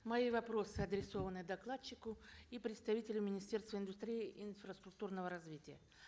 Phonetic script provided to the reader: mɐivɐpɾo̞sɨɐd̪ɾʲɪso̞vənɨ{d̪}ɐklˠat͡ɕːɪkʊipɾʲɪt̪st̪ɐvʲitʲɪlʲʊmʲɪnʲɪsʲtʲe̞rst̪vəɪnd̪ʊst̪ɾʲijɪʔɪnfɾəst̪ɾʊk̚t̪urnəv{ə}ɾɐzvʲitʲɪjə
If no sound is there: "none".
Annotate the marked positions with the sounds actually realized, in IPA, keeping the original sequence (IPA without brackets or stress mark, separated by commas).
d̪, ə